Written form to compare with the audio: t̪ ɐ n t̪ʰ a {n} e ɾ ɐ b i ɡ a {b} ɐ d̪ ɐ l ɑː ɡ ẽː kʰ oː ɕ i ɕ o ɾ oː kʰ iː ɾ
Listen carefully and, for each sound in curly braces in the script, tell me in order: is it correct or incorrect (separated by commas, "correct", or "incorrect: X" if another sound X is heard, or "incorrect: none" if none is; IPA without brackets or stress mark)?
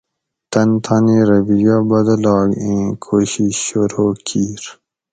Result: correct, correct